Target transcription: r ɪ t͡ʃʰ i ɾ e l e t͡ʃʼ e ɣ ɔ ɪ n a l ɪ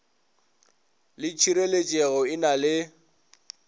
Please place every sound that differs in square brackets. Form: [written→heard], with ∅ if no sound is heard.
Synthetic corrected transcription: [r→l] ɪ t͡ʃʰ i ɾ e l e t͡ʃʼ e ɣ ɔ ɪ n a l ɪ

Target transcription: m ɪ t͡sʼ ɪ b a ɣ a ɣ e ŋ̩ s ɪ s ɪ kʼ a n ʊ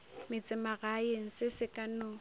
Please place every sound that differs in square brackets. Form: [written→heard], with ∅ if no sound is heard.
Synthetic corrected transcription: m ɪ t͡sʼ ɪ [b→m] a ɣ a [ɣ→∅] e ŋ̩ s ɪ s ɪ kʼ a n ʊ

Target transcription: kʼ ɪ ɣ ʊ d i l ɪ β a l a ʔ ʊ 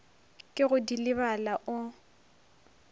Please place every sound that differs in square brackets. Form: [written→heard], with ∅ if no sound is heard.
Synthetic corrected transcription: kʼ ɪ ɣ ʊ d i l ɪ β a l a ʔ ʊ

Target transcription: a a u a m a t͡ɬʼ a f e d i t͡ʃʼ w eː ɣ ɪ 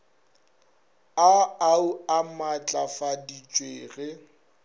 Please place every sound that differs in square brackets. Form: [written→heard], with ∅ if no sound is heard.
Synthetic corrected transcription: a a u a m a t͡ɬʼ a f [e→a] d i t͡ʃʼ w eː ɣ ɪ

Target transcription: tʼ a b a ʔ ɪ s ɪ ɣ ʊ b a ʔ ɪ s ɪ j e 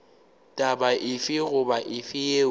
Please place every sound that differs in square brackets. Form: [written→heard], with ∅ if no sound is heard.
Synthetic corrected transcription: tʼ a b a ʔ ɪ [s→f] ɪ ɣ ʊ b a ʔ ɪ [s→f] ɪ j e

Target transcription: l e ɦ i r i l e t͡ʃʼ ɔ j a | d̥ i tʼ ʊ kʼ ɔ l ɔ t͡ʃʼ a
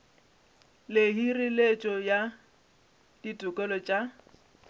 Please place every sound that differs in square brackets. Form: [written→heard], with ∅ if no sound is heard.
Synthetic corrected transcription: l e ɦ i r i l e t͡ʃʼ ɔ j a | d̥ i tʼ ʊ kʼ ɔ l ɔ t͡ʃʼ a

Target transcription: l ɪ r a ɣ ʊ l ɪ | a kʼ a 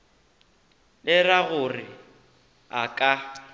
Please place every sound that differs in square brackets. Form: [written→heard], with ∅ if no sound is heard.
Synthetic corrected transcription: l ɪ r a ɣ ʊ [l→r] ɪ | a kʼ a

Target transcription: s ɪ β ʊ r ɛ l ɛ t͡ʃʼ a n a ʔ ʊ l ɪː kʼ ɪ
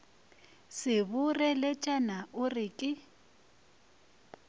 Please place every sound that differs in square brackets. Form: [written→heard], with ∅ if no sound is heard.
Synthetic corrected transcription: s ɪ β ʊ r ɛ l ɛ t͡ʃʼ a n a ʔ ʊ [l→r] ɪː kʼ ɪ

